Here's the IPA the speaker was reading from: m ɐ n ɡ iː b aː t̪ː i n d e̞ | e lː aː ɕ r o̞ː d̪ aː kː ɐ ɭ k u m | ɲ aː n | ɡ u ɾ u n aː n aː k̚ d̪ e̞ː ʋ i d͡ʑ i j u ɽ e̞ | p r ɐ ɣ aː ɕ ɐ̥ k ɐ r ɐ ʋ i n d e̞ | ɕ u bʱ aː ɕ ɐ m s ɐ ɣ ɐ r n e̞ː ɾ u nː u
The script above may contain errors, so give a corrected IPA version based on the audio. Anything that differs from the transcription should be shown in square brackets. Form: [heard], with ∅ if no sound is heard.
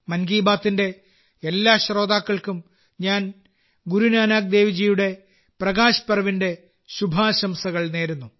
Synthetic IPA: m ɐ n ɡ iː b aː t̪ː i n d e̞ | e lː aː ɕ r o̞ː d̪ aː kː ɐ ɭ k u m | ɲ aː n | ɡ u ɾ u n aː n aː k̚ d̪ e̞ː ʋ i d͡ʑ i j u ɽ e̞ | p r ɐ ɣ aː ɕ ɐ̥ [p] ɐ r ɐ ʋ i n d e̞ | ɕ u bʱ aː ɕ ɐ m s ɐ ɣ ɐ [ɭ] n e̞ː ɾ u nː u